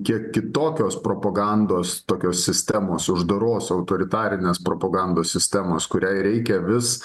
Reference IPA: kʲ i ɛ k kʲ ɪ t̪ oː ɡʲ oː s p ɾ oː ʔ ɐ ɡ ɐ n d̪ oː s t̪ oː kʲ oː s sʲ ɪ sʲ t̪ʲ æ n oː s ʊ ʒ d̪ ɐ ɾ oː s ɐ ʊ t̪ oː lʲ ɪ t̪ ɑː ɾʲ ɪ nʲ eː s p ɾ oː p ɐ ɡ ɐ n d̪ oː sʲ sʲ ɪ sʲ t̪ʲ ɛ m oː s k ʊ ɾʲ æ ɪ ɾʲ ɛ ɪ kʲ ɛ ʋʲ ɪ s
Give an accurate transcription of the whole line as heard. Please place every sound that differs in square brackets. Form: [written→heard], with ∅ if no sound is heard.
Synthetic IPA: kʲ i ɛ k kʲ ɪ t̪ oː [ɡʲ→kʲ] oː s p ɾ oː [ʔ→p] ɐ ɡ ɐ n d̪ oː s t̪ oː kʲ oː s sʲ ɪ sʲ t̪ʲ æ [n→m] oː s ʊ ʒ d̪ ɐ ɾ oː s ɐ ʊ t̪ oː [lʲ→ɾʲ] ɪ t̪ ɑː ɾʲ ɪ nʲ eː s p ɾ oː p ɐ ɡ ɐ n d̪ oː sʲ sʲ ɪ sʲ t̪ʲ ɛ m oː s k ʊ ɾʲ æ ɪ ɾʲ ɛ ɪ kʲ ɛ ʋʲ ɪ s